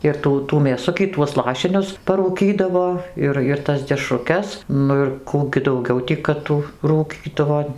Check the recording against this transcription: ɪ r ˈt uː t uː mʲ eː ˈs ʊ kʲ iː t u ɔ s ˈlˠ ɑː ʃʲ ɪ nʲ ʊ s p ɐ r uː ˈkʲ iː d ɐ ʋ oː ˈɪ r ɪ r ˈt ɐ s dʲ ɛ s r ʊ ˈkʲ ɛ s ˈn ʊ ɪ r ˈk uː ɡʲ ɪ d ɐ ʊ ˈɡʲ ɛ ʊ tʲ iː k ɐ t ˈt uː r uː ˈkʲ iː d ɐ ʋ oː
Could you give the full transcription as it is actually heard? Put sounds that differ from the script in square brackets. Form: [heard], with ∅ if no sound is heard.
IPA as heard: ɪ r ˈt uː t uː mʲ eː ˈs ʊ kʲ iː t u ɔ s ˈlˠ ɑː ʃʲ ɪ nʲ ʊ s p ɐ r uː ˈkʲ iː d ɐ ʋ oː ˈɪ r ɪ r ˈt ɐ s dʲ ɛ [ʃ] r ʊ ˈkʲ ɛ s ˈn ʊ ɪ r ˈk uː ɡʲ ɪ d ɐ ʊ ˈɡʲ ɛ ʊ tʲ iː k ɐ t ˈt uː r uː ˈkʲ iː d ɐ ʋ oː